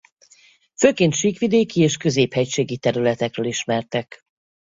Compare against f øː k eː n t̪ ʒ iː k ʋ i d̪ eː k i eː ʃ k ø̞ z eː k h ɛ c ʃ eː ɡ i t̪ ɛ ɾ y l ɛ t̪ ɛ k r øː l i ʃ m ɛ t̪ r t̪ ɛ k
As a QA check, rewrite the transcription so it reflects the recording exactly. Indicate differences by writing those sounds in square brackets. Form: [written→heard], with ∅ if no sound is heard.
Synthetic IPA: f øː k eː n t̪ [ʒ→ʃ] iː k ʋ i d̪ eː k i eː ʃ k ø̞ z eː [k→p] h ɛ c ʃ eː ɡ i t̪ ɛ ɾ y l ɛ t̪ ɛ k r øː l i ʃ m ɛ [t̪→∅] r t̪ ɛ k